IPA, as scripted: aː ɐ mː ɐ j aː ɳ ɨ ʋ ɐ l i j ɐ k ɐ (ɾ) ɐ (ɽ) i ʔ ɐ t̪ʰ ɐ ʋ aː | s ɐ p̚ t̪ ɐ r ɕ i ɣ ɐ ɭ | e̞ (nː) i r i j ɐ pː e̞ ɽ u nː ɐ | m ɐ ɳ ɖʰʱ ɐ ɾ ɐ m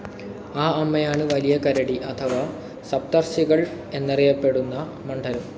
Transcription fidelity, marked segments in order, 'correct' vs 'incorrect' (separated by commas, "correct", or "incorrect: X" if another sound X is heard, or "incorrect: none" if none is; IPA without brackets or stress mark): correct, correct, correct